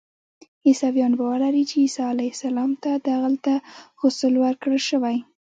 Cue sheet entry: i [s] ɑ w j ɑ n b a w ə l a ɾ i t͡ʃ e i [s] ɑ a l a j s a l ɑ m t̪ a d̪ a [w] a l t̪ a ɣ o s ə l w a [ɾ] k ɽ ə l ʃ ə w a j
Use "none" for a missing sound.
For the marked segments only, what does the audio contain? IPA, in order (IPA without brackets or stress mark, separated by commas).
s, s, ɣ, ɾ